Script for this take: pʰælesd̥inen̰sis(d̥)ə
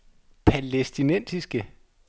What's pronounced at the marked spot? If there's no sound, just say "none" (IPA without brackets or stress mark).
ɡ̥